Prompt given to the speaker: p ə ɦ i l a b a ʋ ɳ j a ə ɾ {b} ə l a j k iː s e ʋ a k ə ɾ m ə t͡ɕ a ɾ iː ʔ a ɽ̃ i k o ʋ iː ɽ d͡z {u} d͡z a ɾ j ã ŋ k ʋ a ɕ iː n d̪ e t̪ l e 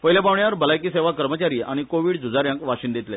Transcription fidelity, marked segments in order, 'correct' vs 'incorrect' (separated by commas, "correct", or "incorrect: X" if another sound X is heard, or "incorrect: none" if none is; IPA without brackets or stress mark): correct, correct